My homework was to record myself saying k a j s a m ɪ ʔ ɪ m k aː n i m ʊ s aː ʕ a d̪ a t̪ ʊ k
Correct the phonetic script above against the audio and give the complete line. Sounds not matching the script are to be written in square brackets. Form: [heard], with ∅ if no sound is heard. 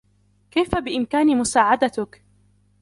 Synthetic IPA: k a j [f] a [b] ɪ ʔ ɪ m k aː n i m ʊ s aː ʕ a d̪ a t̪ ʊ k

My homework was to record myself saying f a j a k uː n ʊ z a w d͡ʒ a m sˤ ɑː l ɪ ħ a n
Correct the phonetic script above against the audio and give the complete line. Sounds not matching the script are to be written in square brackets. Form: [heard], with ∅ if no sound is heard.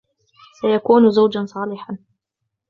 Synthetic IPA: [s] a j a k uː n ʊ z a w d͡ʒ a [n] sˤ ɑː l ɪ ħ a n

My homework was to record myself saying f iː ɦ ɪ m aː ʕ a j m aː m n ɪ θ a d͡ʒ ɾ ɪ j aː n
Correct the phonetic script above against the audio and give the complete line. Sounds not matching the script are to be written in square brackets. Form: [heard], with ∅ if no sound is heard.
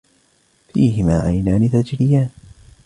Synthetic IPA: f iː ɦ ɪ m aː ʕ a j [n] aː [∅] n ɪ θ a d͡ʒ ɾ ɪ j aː n

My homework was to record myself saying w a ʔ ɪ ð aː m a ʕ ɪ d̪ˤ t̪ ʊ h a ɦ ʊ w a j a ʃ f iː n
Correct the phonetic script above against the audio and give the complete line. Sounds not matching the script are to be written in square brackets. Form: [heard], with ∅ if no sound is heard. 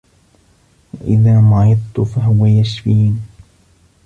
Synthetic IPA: w a ʔ ɪ ð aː m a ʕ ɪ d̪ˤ t̪ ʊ [f] a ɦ ʊ w a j a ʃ f iː n

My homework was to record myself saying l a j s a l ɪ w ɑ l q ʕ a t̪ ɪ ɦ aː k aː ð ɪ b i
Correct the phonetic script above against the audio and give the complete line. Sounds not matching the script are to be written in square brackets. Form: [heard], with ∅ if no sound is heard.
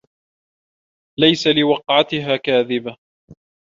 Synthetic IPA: l a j s a l ɪ w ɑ [∅] q ʕ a t̪ ɪ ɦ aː k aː ð ɪ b [a]

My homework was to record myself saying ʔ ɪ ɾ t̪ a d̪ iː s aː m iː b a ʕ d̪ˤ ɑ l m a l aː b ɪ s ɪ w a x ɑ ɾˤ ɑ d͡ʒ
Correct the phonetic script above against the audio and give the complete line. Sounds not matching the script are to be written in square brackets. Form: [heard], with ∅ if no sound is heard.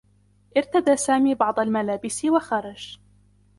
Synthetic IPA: ʔ ɪ ɾ t̪ a d̪ [aː] s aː m iː b [ɑ] ʕ d̪ˤ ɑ l m a l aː b ɪ s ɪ w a x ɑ ɾˤ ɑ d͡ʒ

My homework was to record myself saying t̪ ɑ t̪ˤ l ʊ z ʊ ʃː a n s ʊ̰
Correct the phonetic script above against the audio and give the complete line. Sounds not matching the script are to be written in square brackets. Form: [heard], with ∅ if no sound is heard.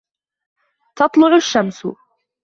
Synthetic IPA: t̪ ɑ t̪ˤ l ʊ [ʕ] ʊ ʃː a [m] s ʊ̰

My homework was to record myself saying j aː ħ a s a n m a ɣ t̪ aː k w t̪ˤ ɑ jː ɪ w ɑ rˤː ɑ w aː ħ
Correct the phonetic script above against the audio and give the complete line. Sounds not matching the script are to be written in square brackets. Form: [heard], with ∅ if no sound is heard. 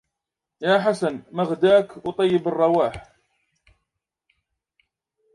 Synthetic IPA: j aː ħ a s a n m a ɣ [d̪] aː k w t̪ˤ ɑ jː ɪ [b] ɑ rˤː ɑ w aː ħ

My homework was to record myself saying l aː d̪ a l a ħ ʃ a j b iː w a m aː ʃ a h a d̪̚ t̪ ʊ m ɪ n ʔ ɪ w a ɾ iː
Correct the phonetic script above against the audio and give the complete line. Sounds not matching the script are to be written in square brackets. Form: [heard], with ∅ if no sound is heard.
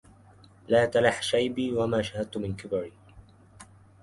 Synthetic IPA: l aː [t̪] a l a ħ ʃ a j b iː w a m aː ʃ a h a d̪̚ t̪ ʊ m ɪ n [k] ɪ [b] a ɾ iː

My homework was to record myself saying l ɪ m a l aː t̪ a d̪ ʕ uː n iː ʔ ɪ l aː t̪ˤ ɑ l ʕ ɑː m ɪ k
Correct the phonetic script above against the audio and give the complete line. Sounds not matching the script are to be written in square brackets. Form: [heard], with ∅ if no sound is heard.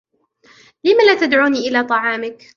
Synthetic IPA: l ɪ m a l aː t̪ a d̪ ʕ uː n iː ʔ ɪ l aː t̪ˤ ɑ [∅] ʕ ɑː m ɪ k

